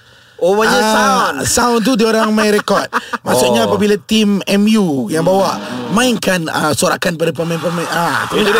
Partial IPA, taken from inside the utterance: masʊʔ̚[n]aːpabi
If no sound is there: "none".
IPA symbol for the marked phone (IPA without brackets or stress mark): ɲ